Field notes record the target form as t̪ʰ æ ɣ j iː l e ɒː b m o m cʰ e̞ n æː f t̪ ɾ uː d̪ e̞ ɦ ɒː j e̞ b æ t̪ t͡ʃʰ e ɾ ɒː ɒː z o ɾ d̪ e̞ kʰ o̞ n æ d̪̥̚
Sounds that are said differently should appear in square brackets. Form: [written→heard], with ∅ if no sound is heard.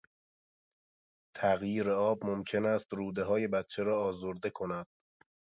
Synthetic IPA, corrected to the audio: t̪ʰ æ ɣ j iː [l→ɾ] e ɒː b m o m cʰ e̞ n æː [f→s] t̪ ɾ uː d̪ e̞ ɦ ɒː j e̞ b æ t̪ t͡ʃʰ e ɾ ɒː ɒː z o ɾ d̪ e̞ kʰ o̞ n æ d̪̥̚